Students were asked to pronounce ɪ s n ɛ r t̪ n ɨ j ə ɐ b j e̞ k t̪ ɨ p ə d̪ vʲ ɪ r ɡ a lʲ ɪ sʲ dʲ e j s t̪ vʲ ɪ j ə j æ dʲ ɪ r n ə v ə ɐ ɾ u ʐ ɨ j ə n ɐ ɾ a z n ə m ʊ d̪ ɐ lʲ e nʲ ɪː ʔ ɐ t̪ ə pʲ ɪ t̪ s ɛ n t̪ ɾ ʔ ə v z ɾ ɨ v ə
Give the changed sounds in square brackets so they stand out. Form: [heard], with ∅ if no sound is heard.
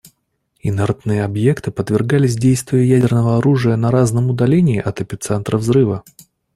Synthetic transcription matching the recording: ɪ [∅] n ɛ r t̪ n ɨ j ə ɐ b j e̞ k t̪ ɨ p ə [t̪] vʲ ɪ r ɡ a lʲ ɪ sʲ dʲ e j s t̪ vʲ ɪ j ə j æ dʲ ɪ r n ə v ə ɐ ɾ u ʐ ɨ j ə n ɐ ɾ a z n ə m ʊ d̪ ɐ lʲ e nʲ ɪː ʔ ɐ t̪ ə pʲ ɪ t̪ s ɛ n t̪ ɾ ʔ ə v z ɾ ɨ v ə